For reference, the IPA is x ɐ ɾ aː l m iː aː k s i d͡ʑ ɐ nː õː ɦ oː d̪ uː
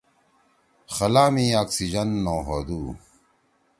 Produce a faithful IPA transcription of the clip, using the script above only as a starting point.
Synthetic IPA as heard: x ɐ l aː m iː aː k s i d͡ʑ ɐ nː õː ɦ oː d̪ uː